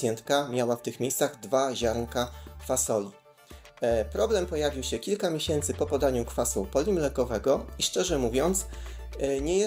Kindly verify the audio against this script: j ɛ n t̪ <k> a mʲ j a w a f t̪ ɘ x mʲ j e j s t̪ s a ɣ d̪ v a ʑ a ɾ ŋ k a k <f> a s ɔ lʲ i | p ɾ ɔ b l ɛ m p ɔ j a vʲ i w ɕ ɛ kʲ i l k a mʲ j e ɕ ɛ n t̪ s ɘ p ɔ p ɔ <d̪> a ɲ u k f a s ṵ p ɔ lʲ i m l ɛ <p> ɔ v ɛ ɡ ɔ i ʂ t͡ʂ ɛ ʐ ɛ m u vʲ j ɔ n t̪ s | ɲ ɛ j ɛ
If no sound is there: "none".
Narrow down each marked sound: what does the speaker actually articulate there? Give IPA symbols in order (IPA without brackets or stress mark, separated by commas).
k, f, d̪, k